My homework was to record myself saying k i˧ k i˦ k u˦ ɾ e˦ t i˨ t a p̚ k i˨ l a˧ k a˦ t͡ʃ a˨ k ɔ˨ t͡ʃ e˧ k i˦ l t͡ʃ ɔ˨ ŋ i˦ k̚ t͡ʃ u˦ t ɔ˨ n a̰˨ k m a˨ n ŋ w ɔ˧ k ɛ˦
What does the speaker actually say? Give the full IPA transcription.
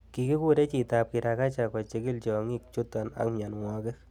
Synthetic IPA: k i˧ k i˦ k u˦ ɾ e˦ t͡ʃ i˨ t a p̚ k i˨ ɾ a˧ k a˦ t͡ʃ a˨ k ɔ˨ t͡ʃ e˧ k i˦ l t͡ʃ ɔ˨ ŋ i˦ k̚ t͡ʃ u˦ t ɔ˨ n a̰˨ k m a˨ n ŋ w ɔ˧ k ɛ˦